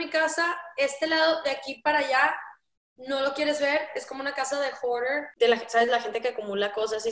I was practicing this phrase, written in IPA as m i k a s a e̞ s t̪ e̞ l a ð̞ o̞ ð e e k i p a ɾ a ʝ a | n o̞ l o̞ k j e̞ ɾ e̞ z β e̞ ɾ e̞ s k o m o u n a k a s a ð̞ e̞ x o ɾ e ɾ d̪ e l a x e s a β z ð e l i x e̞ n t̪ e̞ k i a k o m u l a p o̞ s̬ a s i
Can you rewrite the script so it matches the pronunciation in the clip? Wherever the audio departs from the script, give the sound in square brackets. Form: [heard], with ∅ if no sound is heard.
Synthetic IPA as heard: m i k a s a e̞ s t̪ e̞ l a ð̞ o̞ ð e [a] k i p a ɾ a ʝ a | n o̞ l o̞ k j e̞ ɾ e̞ z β e̞ ɾ e̞ s k o m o u n a k a s a ð̞ e̞ x o ɾ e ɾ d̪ e l a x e s a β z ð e l [a] x e̞ n t̪ e̞ k [e] a k [u] m u l a [k] o̞ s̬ a s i

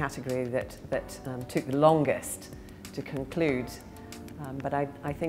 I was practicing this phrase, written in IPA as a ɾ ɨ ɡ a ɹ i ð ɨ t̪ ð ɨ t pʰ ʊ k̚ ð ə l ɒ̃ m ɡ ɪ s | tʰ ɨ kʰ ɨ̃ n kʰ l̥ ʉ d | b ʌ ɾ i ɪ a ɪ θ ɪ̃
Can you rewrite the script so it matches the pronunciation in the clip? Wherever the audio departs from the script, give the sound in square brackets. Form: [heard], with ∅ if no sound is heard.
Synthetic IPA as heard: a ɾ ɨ ɡ [ə] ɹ i ð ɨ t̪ ð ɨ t [tʰ] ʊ k̚ ð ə l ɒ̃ [ŋ] ɡ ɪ s | tʰ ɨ kʰ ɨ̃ n kʰ l̥ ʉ d | b ʌ ɾ [a] ɪ a ɪ θ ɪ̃

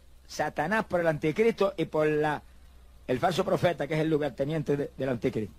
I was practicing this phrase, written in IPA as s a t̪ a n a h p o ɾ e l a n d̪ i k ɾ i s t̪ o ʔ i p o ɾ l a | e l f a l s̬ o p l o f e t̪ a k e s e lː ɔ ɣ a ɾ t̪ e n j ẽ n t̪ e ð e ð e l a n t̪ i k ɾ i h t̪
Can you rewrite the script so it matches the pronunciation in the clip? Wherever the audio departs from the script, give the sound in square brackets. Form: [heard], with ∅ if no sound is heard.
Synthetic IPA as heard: s a t̪ a n a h p o ɾ e l a n [t̪] i k ɾ i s t̪ o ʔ i p o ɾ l a | e l f a l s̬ o p [ɾ] o f e t̪ a k e s e lː [u] ɣ a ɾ t̪ e n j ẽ n t̪ e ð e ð e l a n t̪ i k ɾ i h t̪

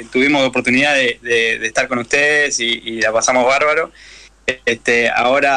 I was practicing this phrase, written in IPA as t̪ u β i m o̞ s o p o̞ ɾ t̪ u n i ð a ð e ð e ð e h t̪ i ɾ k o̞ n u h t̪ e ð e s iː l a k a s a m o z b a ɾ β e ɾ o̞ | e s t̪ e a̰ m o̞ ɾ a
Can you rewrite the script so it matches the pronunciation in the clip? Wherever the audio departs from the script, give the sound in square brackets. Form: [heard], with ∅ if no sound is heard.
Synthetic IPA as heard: t̪ u β i m o̞ s o p o̞ ɾ t̪ u n i ð a ð e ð e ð e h t̪ [a] ɾ k o̞ n u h t̪ e ð e s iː l a [p] a s a m o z [β] a ɾ β [a] ɾ o̞ | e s t̪ e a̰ [∅] o̞ ɾ a

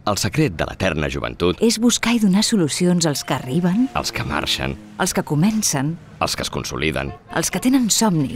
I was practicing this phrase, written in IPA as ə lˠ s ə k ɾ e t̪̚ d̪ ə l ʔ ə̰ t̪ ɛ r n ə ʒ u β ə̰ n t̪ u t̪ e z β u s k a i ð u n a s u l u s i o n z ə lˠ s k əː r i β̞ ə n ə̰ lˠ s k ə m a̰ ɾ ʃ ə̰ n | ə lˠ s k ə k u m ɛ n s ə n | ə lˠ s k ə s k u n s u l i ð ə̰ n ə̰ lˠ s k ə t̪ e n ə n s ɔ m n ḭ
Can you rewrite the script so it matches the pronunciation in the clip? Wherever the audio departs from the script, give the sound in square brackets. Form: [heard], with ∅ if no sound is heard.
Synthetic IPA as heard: ə lˠ s ə k ɾ e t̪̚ d̪ ə l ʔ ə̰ t̪ ɛ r n ə ʒ u β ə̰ n t̪ u t̪ e z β u s k a i ð u n a s u l u s i o n z ə lˠ s k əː r i β̞ ə n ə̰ lˠ s k ə m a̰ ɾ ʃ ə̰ n | ə lˠ s k ə k u m ɛ n s ə n | ə lˠ s k ə s k u n s u l i ð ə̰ n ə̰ lˠ s k ə t̪ e n ə n s ɔ m n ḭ

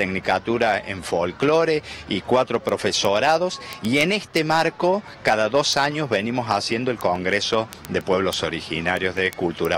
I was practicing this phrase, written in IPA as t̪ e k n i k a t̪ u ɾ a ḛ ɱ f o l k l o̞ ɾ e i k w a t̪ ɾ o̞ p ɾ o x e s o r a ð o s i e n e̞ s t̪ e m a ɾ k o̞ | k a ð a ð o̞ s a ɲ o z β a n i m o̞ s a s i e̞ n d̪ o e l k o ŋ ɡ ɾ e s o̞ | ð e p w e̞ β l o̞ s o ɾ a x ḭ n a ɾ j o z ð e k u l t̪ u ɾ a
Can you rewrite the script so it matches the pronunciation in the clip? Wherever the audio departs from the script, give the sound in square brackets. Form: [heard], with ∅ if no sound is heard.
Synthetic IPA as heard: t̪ e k n i k a t̪ u ɾ a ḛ ɱ f o l k l o̞ ɾ e i k w a t̪ ɾ o̞ p ɾ o [f] e s o [ɾ] a ð o s i e n e̞ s t̪ e m a ɾ k o̞ | k a ð a ð o̞ s a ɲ o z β [e] n i m o̞ s a s [j] e̞ n d̪ o e l k o ŋ ɡ ɾ e s o̞ | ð e p w e̞ β l o̞ s o ɾ [i] x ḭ n a ɾ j o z ð e k u l t̪ u ɾ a

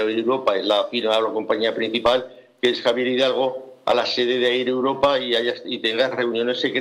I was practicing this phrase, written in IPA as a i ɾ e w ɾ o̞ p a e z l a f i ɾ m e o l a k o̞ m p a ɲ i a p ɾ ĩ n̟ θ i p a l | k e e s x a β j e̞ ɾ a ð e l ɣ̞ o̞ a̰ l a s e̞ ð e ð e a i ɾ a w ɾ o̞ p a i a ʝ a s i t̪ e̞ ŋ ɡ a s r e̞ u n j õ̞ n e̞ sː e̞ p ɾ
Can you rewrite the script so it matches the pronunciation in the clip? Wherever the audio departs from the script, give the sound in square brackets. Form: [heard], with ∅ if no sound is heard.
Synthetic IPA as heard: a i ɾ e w ɾ o̞ p a e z l a f i ɾ m [a] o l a k o̞ m p a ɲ i a p ɾ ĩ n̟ θ i p a l | k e e s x a β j e̞ ɾ [i] ð [a] l ɣ̞ o̞ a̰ l a s e̞ ð e ð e a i ɾ [e] w ɾ o̞ p a i a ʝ a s i t̪ e̞ ŋ ɡ a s r e̞ u n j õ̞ n e̞ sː e̞ [k] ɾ

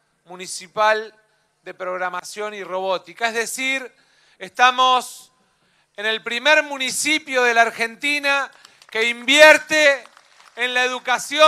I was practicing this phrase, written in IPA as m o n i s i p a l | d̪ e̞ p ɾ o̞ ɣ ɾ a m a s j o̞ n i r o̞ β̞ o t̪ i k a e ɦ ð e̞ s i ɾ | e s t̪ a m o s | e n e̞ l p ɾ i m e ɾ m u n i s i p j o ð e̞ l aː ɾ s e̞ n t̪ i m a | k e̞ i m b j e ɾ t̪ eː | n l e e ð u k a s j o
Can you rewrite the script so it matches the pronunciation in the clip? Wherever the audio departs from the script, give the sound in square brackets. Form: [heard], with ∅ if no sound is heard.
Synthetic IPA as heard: m [u] n i s i p a l | d̪ e̞ p ɾ o̞ ɣ ɾ a m a s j o̞ n i r o̞ β̞ o t̪ i k a e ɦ ð e̞ s i ɾ | e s t̪ a m o s | e n e̞ l p ɾ i m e ɾ m u n i s i p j o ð e̞ l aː ɾ [x] e̞ n t̪ i [n] a | k e̞ i m b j e ɾ t̪ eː | n l [a] e ð u k a s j o

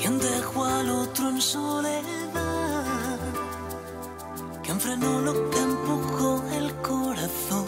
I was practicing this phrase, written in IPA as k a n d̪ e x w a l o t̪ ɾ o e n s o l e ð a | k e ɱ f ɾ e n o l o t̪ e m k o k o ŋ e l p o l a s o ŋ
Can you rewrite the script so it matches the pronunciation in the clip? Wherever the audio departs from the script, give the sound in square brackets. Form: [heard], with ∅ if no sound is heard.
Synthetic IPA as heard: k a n d̪ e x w a l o t̪ ɾ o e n s o l e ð a | k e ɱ f ɾ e n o l o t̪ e m [p] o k o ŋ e l [k] o [ɾ] a [θ] o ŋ

